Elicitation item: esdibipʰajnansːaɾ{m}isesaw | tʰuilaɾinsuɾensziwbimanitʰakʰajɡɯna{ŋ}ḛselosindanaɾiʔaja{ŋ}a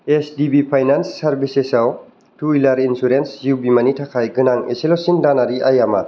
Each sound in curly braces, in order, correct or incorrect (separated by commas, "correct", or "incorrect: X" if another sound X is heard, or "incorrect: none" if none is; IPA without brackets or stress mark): incorrect: b, correct, incorrect: m